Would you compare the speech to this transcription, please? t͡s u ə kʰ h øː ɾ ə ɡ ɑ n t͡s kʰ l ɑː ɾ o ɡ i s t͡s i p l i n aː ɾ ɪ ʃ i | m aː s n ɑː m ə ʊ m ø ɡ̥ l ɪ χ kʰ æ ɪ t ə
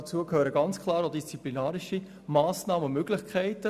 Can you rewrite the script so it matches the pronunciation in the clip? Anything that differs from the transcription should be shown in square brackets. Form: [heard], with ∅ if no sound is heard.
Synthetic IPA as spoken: t͡s u ə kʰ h øː ɾ ə ɡ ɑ n t͡s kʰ l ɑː ɾ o [d] i s t͡s i p l i n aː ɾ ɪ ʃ i | m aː s n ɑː m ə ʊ m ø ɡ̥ l ɪ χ kʰ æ ɪ t ə